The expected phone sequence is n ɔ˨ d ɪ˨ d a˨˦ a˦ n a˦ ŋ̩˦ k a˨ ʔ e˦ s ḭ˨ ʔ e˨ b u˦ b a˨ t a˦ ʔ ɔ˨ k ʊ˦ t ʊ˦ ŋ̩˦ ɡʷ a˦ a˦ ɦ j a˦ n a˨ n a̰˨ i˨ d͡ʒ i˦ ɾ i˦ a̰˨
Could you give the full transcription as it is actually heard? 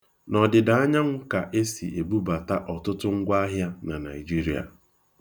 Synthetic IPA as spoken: n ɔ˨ d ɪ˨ d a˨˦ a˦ ɲ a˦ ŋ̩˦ k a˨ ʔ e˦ s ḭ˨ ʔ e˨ b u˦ b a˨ t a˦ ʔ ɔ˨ t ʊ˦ t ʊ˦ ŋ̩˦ ɡʷ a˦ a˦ ɦ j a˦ n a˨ n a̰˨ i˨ d͡ʒ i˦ ɾ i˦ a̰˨